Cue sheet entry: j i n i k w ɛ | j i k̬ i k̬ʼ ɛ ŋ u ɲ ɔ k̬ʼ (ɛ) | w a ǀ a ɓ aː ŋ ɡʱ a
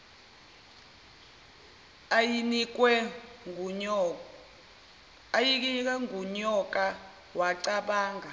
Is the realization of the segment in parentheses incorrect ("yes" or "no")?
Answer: yes